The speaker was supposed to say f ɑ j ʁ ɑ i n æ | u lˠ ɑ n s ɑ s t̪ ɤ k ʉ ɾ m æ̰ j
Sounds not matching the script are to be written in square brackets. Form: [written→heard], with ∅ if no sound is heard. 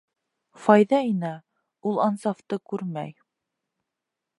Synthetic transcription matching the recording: f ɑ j [ʁ→ð] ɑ i n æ | u lˠ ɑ n s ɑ [s→f] t̪ ɤ k ʉ ɾ m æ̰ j